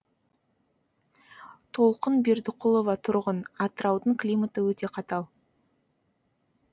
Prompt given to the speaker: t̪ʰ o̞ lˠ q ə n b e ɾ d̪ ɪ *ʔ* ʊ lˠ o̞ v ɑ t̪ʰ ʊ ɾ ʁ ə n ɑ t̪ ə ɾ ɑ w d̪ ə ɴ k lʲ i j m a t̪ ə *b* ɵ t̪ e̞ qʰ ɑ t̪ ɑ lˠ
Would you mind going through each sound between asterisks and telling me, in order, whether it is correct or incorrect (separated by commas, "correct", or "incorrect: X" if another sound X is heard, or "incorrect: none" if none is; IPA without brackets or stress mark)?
incorrect: q, incorrect: w